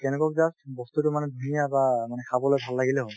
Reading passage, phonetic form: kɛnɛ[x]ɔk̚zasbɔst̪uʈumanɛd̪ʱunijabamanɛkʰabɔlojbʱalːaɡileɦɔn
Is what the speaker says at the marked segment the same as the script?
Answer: no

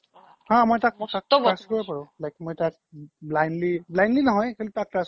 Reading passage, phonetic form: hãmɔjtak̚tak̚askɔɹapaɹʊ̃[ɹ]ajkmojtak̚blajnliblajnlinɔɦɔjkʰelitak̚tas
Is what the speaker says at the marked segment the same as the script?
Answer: no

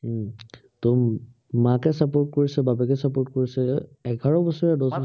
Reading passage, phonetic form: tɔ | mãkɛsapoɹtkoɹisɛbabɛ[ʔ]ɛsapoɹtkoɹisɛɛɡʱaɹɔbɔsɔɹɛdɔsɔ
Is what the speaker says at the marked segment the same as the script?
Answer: no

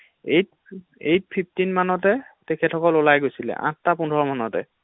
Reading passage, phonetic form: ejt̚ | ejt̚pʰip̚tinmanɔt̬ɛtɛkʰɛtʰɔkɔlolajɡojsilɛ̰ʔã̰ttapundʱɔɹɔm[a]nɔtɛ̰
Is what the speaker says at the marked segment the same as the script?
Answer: yes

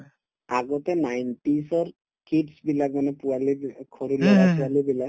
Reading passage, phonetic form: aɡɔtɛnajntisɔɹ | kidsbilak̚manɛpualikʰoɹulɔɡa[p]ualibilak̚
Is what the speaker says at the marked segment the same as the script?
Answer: yes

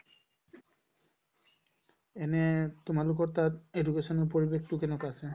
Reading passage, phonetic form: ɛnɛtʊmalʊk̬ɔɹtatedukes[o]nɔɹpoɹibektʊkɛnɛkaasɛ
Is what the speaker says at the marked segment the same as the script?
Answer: no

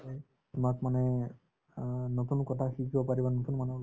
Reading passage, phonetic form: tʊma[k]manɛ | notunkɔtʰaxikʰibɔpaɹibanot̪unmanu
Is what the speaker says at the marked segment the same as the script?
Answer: yes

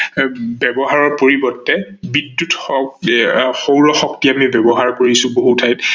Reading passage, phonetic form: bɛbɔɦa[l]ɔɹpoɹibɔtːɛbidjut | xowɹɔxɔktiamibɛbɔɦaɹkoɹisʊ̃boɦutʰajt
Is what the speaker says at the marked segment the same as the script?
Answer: no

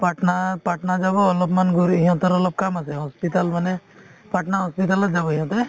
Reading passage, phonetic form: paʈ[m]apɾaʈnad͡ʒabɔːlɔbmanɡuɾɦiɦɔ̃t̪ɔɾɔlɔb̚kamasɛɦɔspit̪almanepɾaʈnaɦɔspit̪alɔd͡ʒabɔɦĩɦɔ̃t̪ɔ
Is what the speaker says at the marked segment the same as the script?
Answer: no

